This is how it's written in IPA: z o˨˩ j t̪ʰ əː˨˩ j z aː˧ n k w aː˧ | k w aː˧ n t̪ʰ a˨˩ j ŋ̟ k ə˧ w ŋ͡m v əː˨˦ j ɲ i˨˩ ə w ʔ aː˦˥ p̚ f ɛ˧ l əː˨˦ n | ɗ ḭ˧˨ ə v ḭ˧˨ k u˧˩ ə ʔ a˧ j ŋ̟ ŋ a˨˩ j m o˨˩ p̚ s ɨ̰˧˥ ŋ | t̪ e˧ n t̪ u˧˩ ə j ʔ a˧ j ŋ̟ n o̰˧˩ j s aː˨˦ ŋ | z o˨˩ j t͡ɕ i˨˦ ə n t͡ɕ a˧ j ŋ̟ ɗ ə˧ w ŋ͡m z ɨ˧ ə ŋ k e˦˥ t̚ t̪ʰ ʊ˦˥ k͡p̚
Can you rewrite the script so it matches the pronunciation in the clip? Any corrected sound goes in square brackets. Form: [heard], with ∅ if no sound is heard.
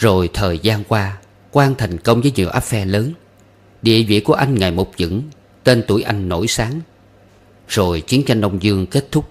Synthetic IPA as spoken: z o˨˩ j t̪ʰ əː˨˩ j z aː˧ n k w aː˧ | k w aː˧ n t̪ʰ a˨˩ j ŋ̟ k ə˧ w ŋ͡m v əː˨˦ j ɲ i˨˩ ə w ʔ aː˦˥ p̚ f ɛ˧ l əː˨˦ n | ɗ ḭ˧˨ ə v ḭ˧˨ k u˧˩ ə ʔ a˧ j ŋ̟ ŋ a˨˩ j m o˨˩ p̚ [z] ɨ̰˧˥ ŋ | t̪ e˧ n t̪ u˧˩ ə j ʔ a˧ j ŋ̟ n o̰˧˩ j s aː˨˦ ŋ | z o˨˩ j t͡ɕ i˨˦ ə n t͡ɕ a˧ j ŋ̟ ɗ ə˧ w ŋ͡m z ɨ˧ ə ŋ k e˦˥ t̚ t̪ʰ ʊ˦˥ k͡p̚